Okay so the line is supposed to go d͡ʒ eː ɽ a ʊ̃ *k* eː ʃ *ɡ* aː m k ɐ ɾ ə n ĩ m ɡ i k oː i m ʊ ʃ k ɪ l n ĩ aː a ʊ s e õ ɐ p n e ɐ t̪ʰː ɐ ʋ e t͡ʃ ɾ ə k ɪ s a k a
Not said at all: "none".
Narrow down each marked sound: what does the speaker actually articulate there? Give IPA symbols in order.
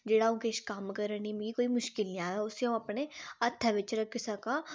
k, k

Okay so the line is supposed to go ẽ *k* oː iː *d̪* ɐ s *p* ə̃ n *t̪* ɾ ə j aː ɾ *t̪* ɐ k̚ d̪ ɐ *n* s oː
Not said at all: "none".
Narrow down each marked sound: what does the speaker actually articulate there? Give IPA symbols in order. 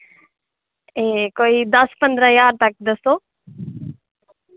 k, d̪, p, d̪, t̪, none

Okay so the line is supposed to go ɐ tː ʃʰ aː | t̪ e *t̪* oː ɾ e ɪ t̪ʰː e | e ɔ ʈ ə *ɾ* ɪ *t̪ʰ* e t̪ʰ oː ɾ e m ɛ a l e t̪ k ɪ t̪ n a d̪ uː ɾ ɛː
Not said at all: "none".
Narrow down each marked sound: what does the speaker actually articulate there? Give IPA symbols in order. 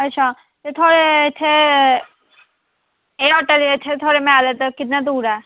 t̪ʰ, l, t̪ʰ

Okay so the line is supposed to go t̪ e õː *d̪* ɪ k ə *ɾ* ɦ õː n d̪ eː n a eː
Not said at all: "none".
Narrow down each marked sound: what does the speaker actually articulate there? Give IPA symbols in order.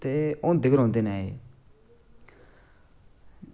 d̪, ɾ

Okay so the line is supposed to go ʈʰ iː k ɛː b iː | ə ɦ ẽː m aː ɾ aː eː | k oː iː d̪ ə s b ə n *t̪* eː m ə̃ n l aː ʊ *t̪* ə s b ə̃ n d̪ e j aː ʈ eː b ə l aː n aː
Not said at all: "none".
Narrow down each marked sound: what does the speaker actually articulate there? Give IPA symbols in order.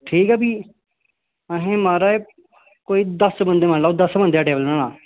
d̪, d̪

